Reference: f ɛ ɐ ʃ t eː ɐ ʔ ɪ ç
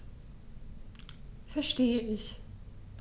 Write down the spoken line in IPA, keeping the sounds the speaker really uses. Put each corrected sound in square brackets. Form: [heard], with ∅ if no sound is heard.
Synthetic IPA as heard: f ɛ ɐ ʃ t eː [ə] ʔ ɪ ç